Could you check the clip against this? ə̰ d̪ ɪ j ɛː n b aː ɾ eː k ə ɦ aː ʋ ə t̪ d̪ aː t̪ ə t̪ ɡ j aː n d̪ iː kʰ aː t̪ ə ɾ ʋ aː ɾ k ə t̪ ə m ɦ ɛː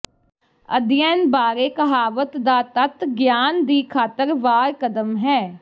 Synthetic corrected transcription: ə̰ d̪ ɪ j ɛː n b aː ɾ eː k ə ɦ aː ʋ ə t̪ d̪ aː t̪ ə t̪ ɡ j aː n d̪ iː kʰ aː t̪ ə ɾ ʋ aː ɾ k ə d̪ ə m ɦ ɛː

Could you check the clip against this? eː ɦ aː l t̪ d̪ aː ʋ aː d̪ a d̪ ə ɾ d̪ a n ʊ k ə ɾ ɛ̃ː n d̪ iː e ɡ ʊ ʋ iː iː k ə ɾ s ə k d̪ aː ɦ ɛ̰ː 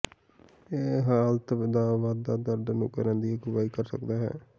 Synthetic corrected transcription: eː ɦ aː l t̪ d̪ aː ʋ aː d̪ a d̪ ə ɾ d̪ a n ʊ k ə ɾ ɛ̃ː n d̪ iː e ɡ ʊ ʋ aː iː k ə ɾ s ə k d̪ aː ɦ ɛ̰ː

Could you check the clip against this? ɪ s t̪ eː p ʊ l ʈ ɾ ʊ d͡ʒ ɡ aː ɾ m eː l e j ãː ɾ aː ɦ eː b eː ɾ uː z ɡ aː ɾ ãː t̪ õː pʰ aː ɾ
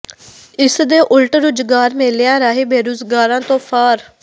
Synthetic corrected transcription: ɪ s d̪ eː ʔ ʊ l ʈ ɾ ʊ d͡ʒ ɡ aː ɾ m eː l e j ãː ɾ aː ɦ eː b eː ɾ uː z ɡ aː ɾ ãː t̪ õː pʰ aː ɾ

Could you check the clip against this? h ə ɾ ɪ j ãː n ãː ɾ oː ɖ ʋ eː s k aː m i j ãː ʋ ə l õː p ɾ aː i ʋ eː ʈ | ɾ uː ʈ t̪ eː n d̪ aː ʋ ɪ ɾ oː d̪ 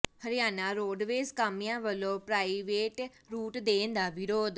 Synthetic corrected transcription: h ə ɾ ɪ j aː n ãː ɾ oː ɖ ʋ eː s k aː m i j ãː ʋ ə l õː p ɾ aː i ʋ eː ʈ | ɾ uː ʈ d̪ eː n d̪ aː ʋ ɪ ɾ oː d̪

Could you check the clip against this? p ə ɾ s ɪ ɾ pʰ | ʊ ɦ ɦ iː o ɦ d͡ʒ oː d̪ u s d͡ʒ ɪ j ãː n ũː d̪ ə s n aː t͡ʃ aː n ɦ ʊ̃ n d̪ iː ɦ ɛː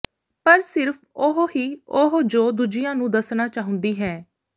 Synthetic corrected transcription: p ə ɾ s ɪ ɾ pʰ | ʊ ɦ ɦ iː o ɦ d͡ʒ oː d̪ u d͡ʒ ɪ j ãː n ũː d̪ ə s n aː t͡ʃ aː ɦ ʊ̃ n d̪ iː ɦ ɛː

